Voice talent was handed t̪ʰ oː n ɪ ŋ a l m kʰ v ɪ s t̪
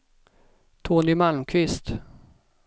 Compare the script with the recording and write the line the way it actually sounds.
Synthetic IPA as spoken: t̪ʰ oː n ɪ m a l m kʰ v ɪ s t̪